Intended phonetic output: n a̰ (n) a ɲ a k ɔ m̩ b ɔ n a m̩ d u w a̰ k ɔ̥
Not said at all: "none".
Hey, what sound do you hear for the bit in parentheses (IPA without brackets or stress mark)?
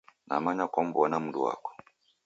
m